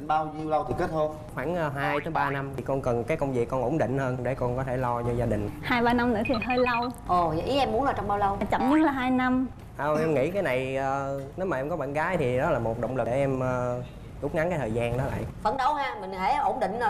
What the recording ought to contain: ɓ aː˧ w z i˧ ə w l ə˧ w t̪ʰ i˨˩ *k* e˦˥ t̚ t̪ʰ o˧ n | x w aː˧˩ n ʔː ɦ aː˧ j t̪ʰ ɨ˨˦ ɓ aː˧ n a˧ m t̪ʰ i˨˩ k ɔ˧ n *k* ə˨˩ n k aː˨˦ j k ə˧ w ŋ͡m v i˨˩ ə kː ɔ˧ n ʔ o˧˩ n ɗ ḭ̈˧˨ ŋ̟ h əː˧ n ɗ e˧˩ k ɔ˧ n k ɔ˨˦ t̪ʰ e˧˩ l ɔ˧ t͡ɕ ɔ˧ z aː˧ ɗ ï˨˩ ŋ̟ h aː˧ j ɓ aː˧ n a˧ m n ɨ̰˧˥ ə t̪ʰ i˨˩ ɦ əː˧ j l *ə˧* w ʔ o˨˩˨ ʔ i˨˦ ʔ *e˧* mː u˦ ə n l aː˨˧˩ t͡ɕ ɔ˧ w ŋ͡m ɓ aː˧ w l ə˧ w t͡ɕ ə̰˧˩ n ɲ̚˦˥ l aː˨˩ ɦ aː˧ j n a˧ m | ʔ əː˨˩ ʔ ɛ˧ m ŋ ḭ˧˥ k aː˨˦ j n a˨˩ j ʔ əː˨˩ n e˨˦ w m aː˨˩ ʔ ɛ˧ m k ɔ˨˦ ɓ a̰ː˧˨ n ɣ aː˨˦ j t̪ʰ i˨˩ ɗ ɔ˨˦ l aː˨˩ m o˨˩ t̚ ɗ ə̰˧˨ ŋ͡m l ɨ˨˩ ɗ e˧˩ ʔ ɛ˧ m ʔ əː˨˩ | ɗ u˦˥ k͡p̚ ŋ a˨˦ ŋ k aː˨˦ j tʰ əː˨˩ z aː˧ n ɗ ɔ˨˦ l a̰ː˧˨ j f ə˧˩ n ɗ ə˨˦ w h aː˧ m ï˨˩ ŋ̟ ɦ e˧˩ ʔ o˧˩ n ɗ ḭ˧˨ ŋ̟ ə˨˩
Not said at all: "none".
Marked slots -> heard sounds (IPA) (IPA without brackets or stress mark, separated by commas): k, k, ə˧, ɛ˧